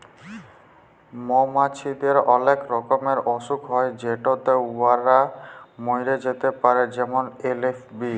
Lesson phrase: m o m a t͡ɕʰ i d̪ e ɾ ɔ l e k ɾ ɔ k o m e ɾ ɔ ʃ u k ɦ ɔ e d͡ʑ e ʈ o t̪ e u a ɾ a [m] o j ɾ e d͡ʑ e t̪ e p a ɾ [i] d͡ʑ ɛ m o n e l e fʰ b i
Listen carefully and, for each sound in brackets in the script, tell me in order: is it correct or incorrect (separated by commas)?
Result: correct, incorrect